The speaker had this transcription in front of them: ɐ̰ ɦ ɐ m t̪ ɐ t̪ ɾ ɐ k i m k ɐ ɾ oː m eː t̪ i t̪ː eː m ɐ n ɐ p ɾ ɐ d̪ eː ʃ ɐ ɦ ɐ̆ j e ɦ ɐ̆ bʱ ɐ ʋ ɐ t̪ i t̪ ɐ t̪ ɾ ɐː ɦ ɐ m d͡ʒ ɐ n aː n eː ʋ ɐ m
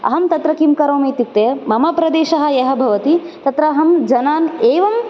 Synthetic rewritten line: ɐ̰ ɦ ɐ m t̪ ɐ t̪ ɾ ɐ k i m k ɐ ɾ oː m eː t̪ i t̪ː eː m ɐ m ɐ p ɾ ɐ d̪ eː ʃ ɐ ɦ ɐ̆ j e ɦ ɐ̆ bʱ ɐ ʋ ɐ t̪ i t̪ ɐ t̪ ɾ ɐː ɦ ɐ m d͡ʒ ɐ n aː n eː ʋ ɐ m